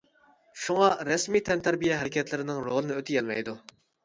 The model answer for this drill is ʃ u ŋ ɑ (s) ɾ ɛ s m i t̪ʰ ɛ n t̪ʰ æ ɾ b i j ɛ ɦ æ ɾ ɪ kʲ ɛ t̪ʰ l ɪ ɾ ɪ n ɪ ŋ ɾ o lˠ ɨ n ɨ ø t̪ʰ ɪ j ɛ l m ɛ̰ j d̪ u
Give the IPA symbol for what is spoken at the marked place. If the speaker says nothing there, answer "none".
none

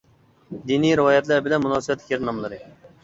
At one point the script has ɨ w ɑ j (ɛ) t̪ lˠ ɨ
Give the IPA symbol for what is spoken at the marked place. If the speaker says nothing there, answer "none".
ɛ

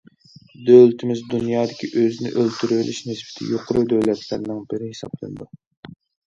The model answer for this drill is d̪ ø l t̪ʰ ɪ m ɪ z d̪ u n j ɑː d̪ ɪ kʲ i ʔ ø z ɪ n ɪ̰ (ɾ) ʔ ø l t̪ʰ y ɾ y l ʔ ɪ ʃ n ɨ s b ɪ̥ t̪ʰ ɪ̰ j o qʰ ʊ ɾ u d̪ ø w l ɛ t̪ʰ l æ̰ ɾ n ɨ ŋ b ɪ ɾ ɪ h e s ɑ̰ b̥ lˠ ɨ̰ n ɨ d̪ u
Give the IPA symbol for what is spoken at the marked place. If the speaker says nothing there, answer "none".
none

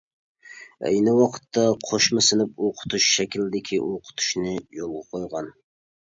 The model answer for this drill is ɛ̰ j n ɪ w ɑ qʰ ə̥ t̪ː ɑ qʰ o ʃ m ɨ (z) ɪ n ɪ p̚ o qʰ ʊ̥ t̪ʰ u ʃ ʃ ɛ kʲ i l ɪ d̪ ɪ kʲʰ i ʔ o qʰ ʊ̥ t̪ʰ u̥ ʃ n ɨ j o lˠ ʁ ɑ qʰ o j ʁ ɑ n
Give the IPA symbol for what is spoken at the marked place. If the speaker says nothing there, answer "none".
s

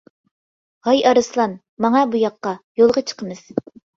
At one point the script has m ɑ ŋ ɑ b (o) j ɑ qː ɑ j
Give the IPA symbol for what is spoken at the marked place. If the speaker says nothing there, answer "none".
u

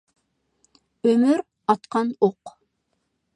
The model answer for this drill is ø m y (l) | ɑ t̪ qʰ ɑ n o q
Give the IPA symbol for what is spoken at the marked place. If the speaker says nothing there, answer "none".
ɾ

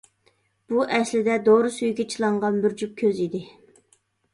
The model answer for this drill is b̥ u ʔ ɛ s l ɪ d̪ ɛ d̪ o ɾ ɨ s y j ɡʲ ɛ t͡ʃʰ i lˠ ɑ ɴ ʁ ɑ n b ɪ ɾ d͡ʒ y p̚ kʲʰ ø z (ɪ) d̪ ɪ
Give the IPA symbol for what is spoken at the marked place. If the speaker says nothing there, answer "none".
i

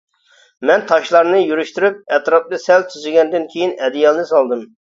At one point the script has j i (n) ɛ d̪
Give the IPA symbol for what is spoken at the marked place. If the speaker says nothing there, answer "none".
n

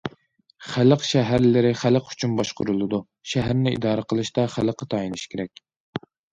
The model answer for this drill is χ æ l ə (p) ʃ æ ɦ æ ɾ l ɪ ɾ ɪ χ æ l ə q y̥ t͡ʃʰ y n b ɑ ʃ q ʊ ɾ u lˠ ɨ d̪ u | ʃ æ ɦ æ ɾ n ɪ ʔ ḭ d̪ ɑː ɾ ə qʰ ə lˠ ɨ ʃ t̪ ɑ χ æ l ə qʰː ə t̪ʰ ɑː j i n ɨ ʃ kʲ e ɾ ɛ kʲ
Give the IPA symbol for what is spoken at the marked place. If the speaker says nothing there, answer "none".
q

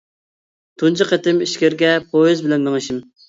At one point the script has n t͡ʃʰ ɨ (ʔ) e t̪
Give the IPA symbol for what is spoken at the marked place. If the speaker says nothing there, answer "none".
q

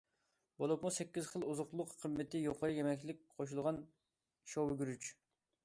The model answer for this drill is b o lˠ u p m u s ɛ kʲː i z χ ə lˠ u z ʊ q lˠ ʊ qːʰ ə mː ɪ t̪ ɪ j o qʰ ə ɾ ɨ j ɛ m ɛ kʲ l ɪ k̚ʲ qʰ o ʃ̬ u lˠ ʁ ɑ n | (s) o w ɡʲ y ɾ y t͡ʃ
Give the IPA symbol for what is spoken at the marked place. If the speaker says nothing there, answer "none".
ʃ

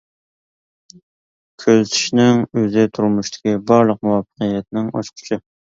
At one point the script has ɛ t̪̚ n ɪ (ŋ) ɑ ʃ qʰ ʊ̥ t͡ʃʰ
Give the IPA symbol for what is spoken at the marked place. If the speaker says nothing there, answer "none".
ŋ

